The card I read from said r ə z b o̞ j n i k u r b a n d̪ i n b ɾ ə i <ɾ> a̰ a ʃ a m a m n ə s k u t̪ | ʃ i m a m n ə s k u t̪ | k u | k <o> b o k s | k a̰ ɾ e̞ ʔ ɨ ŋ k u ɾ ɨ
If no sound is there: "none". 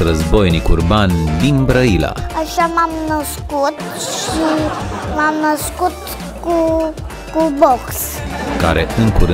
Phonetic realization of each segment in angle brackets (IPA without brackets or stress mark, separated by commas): l, u